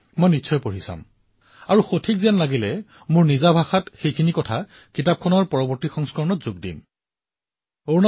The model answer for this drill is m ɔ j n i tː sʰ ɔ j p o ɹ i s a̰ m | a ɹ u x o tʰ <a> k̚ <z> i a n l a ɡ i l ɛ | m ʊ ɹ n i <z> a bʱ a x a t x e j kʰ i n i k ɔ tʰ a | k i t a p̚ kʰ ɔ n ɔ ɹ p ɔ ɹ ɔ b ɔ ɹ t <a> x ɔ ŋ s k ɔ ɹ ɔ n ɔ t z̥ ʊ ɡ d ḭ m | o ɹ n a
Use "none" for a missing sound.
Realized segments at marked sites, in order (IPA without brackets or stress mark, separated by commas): i, z, z, i